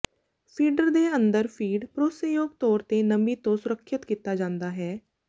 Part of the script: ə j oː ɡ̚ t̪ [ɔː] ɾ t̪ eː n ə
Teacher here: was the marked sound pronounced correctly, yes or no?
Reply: yes